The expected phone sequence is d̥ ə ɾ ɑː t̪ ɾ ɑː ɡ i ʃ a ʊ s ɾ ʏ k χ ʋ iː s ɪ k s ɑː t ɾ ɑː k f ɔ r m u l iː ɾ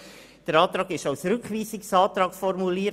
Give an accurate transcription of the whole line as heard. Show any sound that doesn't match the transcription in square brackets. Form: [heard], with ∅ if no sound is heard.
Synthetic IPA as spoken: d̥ ə ɾ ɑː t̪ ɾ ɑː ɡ [ɪ] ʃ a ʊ s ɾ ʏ k χ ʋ iː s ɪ k s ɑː t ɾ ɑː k f ɔ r m u l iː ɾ